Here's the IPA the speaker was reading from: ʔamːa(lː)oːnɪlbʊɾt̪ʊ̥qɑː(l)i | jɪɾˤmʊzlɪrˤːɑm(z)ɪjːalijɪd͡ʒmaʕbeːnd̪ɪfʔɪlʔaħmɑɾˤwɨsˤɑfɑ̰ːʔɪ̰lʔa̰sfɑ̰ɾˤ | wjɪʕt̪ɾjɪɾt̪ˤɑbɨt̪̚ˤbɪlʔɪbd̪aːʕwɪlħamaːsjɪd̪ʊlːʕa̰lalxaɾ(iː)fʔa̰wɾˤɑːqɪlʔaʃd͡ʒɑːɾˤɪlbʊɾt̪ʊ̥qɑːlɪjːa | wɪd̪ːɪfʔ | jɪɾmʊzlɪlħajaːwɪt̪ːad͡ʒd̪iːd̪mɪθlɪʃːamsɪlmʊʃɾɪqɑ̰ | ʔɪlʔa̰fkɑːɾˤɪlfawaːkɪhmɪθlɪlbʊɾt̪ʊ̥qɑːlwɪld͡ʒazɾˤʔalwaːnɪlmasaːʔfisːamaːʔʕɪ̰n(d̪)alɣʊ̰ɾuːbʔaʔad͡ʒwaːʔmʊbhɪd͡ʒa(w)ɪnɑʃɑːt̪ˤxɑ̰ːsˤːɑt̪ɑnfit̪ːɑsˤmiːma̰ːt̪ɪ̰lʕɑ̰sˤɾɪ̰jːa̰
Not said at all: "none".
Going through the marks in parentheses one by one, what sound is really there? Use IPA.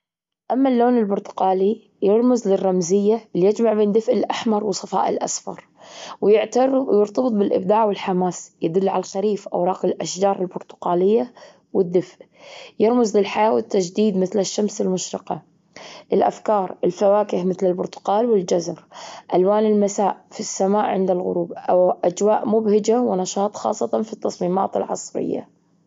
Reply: lː, l, z, iː, d̪, w

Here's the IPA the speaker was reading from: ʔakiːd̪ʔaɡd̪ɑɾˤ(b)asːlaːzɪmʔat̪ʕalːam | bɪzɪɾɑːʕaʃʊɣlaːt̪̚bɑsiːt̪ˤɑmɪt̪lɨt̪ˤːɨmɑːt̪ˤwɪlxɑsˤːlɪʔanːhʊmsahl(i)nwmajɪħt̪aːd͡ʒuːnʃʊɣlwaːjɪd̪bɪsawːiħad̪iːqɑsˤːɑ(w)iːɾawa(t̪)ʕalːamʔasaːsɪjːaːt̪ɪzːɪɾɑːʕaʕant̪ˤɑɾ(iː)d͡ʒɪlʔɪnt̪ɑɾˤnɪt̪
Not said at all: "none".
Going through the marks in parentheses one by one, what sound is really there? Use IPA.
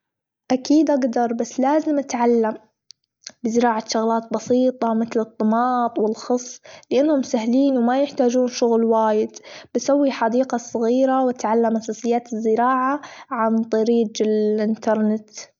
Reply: b, iː, ɣ, t̪, iː

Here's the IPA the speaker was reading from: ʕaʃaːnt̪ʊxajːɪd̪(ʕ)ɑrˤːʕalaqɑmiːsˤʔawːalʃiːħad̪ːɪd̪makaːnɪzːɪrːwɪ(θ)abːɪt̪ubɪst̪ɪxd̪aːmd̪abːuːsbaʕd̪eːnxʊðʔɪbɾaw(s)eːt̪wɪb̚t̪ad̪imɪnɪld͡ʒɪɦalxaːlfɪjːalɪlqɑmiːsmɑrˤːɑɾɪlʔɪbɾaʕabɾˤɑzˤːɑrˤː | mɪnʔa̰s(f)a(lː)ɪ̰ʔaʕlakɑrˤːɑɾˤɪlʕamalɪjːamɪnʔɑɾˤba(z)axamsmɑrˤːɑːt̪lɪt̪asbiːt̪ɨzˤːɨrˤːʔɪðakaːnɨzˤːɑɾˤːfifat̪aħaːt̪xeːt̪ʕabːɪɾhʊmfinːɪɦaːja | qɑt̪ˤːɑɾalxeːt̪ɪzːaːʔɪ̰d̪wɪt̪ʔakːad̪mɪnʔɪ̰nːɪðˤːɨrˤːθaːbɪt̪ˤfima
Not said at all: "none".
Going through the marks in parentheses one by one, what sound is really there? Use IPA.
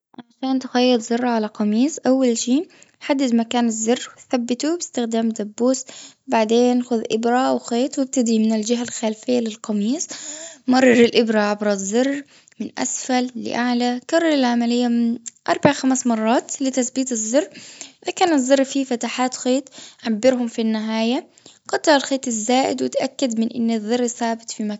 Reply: z, θ, x, f, lː, ʕ

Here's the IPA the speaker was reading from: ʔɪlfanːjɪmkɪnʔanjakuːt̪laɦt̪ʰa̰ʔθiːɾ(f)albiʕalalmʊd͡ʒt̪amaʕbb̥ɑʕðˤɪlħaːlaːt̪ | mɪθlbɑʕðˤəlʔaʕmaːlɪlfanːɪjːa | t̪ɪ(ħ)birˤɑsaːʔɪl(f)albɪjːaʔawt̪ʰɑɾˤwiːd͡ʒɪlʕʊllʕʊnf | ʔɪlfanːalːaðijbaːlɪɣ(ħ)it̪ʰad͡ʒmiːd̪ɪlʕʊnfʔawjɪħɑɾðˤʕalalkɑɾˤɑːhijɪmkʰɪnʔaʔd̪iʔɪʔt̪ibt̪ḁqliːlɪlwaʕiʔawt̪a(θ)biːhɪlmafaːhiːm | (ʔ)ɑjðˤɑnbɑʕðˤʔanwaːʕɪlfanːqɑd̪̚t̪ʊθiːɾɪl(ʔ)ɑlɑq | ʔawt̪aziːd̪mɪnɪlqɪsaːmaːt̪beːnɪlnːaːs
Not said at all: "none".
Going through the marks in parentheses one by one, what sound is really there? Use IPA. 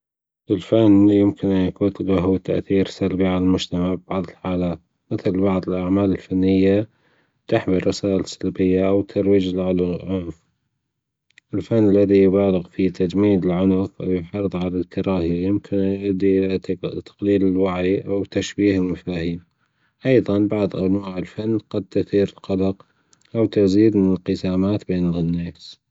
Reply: s, ħ, s, f, ʃ, ʔ, q

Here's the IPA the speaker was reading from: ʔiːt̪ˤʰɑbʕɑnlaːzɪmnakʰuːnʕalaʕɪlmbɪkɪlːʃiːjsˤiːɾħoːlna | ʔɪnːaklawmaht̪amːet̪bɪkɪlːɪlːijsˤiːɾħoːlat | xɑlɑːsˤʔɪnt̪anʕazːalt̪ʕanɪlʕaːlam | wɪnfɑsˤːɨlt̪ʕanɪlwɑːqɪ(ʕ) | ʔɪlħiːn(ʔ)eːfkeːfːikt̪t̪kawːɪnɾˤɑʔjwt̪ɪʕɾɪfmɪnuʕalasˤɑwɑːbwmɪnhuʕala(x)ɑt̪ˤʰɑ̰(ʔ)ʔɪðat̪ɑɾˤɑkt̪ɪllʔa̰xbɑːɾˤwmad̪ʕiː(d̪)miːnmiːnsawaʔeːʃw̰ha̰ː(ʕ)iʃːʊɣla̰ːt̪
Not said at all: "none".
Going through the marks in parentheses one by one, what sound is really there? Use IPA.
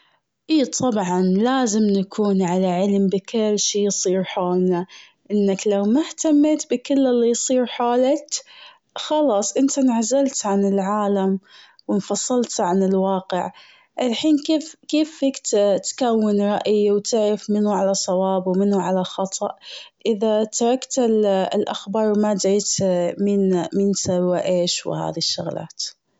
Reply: ʕ, k, x, ʔ, t̪, ð

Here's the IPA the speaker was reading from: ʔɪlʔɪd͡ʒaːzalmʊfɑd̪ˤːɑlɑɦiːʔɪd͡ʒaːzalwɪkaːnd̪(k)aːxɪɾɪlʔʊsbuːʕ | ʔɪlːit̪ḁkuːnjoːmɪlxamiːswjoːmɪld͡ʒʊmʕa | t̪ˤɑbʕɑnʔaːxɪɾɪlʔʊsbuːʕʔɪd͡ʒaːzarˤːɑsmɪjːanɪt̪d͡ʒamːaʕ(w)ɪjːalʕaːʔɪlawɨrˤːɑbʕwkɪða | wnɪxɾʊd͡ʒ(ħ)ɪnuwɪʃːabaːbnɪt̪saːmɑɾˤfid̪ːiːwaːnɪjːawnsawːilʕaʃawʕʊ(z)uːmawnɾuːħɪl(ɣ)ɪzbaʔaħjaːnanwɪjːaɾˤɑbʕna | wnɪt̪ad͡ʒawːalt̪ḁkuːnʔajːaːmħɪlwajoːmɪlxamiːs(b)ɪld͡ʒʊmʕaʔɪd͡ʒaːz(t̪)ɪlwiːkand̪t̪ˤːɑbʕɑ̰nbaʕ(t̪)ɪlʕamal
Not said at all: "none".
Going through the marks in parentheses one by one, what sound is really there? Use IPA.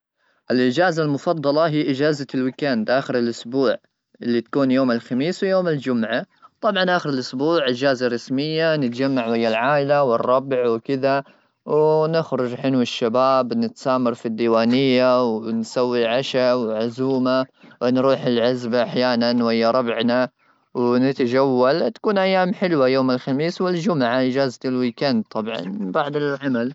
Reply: ʔ, w, ħ, z, ʕ, w, t̪, d̪

